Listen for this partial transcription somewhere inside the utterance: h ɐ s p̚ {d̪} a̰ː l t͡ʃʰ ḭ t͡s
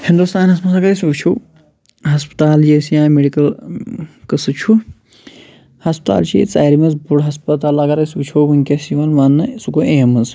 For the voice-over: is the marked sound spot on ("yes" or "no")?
no